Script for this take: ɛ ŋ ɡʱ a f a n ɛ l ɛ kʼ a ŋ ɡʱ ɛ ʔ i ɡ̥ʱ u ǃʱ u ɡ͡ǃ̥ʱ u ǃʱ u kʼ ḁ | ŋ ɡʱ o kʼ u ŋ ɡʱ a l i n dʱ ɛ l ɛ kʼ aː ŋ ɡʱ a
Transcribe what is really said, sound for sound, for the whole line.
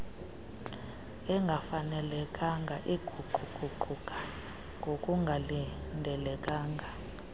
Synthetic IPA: ɛ ŋ ɡʱ a f a n ɛ l ɛ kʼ a ŋ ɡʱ a ʔ i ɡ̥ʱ u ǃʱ u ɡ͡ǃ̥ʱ u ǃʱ u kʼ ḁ | ŋ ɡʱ o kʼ u ŋ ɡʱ a l i n dʱ ɛ l ɛ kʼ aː ŋ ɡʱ a